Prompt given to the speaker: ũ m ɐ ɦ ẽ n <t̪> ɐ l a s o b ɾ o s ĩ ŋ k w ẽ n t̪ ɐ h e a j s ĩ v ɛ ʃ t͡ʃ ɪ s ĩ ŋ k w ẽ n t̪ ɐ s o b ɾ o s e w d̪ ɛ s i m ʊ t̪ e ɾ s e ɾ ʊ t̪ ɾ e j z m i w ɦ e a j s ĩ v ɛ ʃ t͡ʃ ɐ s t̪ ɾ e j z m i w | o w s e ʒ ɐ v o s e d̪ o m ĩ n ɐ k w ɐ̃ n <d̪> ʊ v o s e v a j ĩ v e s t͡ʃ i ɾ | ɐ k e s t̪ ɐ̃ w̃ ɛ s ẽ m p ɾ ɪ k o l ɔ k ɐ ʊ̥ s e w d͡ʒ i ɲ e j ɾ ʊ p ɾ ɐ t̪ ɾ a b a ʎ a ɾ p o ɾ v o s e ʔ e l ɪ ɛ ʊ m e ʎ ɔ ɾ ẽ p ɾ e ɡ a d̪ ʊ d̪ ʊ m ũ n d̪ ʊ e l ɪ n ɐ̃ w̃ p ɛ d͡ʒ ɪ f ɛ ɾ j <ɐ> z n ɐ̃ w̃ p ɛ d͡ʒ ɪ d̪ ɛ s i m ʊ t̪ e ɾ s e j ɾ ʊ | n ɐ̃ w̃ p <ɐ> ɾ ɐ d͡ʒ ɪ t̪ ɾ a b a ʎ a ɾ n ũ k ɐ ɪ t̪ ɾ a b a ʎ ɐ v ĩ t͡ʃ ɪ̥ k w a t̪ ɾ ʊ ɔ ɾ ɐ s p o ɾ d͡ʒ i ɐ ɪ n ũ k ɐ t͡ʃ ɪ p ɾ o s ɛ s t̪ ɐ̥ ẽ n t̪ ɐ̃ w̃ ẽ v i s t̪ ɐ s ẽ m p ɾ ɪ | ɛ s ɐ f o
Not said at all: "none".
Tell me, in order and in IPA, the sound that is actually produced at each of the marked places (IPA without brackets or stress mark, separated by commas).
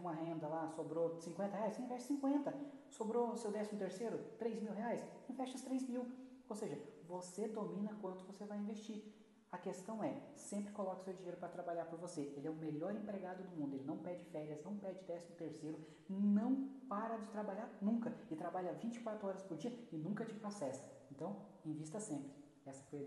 d̪, t̪, ɐ, a